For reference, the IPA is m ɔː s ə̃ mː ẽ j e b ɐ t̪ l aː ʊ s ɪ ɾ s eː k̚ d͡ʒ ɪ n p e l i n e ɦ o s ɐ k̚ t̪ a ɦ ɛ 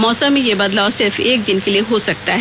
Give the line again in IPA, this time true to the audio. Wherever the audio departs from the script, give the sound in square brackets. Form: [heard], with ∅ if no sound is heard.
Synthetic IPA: m ɔː s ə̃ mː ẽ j e b ɐ [d̪] l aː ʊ s ɪ ɾ [f] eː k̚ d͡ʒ ɪ n [k] e l i [∅] e ɦ o s ɐ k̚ t̪ a ɦ ɛ